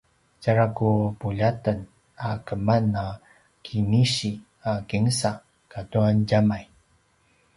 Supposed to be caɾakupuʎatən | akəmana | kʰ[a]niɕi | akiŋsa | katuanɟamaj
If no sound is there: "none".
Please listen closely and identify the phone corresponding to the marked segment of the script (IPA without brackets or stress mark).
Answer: i